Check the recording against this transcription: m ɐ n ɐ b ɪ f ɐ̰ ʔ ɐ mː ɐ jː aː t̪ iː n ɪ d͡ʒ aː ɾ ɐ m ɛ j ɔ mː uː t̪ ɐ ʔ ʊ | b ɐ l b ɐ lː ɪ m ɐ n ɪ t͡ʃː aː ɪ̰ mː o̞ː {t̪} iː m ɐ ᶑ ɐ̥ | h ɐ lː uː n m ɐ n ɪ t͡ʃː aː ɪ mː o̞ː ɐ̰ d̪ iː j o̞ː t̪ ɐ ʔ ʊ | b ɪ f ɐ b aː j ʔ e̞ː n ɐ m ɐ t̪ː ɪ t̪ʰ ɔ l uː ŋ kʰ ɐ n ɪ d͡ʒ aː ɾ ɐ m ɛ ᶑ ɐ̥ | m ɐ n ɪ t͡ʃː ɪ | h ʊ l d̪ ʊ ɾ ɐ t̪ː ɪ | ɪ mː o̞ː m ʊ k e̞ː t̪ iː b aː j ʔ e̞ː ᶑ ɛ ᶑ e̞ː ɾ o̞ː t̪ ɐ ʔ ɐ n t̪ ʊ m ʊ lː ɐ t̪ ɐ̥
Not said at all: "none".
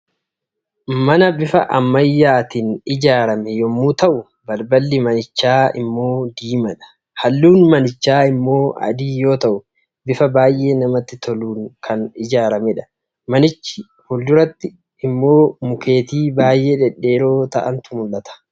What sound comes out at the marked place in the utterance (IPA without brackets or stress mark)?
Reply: d̪